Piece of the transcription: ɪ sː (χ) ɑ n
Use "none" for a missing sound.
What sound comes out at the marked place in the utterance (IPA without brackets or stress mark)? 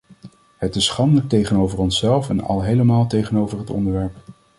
χ